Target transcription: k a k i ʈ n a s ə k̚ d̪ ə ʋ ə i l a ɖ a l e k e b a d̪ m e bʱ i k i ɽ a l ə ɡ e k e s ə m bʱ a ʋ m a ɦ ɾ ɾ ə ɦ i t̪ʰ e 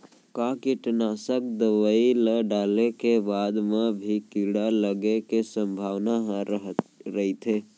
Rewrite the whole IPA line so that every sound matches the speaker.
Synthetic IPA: k a k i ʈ n a s ə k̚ d̪ ə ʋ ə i l ə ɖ a l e k e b a d̪ m e bʱ i k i ɽ a l ə ɡ e k e s ə m bʱ a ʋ n a ɦ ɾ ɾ ə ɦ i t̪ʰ e